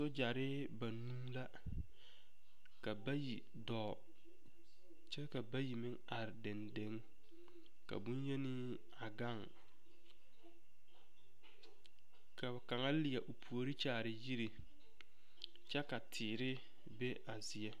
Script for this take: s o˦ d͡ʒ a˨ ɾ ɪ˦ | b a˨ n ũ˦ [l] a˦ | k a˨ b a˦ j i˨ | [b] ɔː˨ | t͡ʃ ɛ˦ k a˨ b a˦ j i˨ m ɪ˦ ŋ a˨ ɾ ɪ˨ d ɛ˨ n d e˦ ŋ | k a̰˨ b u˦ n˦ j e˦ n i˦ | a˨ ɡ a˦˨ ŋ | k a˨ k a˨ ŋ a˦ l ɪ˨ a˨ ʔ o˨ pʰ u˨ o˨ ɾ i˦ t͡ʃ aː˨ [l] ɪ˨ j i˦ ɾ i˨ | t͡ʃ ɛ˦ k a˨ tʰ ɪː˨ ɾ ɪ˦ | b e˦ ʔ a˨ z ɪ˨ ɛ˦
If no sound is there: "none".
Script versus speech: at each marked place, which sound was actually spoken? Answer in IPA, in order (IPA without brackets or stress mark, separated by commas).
l, d, ɾ